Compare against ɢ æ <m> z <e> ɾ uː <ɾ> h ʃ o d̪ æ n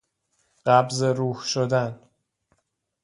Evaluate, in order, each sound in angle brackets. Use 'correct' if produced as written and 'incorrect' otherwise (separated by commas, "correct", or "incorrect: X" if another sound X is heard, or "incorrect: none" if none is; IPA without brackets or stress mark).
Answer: incorrect: b, correct, incorrect: none